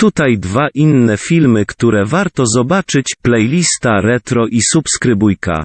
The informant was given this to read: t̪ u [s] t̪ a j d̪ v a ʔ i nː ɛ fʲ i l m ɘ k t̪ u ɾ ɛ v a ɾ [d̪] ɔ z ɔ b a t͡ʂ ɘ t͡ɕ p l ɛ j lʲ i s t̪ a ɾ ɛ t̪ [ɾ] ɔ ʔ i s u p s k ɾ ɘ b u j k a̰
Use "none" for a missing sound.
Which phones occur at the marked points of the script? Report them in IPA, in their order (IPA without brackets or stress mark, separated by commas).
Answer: none, t̪, ɾ